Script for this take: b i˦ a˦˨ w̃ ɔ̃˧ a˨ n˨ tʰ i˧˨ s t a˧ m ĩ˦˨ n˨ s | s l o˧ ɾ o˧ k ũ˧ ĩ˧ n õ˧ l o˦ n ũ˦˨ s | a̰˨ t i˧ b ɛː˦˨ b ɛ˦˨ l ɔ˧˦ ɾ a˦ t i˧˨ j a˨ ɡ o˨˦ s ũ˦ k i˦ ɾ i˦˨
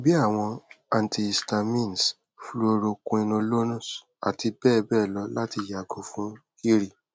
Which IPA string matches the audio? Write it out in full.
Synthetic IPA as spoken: b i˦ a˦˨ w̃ ɔ̃˧ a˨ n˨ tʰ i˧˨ s t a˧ m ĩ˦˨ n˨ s | f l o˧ ɾ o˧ k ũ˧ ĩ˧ n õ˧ l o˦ n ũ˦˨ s | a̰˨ t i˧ b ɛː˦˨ b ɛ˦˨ l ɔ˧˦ l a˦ t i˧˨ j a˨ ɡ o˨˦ f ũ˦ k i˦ ɾ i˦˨

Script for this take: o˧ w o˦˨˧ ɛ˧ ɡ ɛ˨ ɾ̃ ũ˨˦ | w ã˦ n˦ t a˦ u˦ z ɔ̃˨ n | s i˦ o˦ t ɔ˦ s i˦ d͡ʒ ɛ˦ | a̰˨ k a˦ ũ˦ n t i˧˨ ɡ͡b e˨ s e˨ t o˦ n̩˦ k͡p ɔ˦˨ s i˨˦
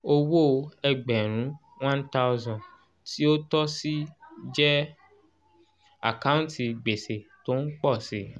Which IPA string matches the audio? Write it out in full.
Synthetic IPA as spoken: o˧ w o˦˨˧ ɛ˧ ɡ͡b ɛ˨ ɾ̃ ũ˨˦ | w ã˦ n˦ t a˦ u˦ z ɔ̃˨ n | t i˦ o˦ t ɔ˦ s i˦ d͡ʒ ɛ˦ | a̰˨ k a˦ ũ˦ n t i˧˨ ɡ͡b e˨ s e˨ t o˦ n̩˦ k͡p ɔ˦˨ s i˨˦

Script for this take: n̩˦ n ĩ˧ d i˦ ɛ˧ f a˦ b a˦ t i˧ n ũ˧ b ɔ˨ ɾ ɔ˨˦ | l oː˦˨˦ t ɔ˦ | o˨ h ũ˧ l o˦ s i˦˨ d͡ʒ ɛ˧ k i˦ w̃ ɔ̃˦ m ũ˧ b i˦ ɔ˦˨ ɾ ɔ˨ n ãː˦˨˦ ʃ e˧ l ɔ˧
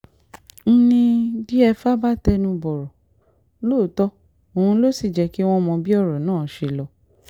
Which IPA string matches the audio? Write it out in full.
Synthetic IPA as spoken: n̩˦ n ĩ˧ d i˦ ɛ˧ f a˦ b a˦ t ɛ˧ n ũ˧ b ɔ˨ ɾ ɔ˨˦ | l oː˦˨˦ t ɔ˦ | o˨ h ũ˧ l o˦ s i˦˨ d͡ʒ ɛ˧ k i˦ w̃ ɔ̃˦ m ɔ̃˧ b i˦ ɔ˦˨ ɾ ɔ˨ n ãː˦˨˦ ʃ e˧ l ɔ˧

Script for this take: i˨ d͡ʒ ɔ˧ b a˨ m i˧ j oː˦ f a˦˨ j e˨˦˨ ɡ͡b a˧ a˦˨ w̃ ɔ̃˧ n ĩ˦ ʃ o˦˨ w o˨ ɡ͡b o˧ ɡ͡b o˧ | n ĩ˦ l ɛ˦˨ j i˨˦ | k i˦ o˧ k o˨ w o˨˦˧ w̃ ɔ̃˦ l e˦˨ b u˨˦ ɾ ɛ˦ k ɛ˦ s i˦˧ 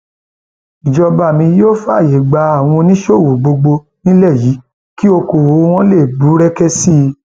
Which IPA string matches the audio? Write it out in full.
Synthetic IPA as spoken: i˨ d͡ʒ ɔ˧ b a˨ m ĩ˧ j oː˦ f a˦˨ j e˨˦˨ ɡ͡b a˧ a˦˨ w̃ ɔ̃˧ n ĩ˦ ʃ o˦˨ w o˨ ɡ͡b o˧ ɡ͡b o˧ | n ĩ˦ l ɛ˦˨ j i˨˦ | k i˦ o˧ k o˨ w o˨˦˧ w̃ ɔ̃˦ l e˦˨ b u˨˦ ɾ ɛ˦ k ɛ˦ s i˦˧

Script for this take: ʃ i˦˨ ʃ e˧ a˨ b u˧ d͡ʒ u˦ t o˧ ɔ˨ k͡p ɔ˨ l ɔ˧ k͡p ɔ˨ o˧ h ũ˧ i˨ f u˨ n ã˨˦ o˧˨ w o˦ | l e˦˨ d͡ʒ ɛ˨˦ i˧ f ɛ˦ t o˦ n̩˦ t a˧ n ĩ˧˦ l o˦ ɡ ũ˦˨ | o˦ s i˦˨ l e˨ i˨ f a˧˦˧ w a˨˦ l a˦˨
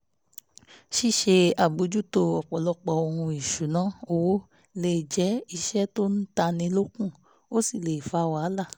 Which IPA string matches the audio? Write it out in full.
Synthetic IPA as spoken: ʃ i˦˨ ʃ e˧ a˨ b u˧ d͡ʒ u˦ t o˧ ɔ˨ k͡p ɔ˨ l ɔ˧ k͡p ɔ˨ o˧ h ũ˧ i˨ ʃ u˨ n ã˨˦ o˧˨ w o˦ | l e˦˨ d͡ʒ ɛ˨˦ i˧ ʃ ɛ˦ t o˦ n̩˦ t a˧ n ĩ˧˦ l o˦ k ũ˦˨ | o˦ s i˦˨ l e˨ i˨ f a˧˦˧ w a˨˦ l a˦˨

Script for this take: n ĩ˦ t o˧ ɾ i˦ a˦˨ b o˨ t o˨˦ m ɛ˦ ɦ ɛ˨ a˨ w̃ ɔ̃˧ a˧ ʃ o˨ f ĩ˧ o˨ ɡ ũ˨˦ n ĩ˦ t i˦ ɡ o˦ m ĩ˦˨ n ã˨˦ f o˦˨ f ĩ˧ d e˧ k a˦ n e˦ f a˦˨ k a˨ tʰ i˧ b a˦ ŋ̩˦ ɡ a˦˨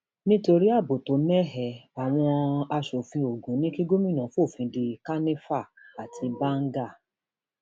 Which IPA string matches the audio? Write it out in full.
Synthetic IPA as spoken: n ĩ˦ t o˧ ɾ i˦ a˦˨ b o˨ t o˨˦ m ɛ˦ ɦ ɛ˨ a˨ w̃ ɔ̃˧ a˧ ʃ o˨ f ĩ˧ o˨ ɡ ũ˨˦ n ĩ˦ k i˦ ɡ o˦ m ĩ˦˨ n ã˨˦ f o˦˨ f ĩ˧ d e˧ k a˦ n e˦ f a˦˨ k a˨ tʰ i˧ b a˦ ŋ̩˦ ɡ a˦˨

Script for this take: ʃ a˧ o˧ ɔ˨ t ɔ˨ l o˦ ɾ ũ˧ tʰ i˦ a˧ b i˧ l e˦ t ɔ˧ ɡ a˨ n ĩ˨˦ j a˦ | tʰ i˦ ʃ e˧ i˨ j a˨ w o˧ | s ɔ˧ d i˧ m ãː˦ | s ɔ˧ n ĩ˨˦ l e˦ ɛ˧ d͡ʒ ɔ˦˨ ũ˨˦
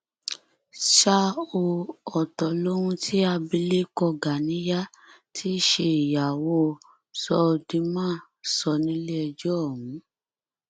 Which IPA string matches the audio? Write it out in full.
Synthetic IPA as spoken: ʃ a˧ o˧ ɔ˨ t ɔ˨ l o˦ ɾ ũ˧ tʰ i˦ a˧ b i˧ l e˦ k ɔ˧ ɡ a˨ n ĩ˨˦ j a˦ | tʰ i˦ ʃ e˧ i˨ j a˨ w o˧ | s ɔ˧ d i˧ m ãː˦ | s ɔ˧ n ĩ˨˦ l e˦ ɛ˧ d͡ʒ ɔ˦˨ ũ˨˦

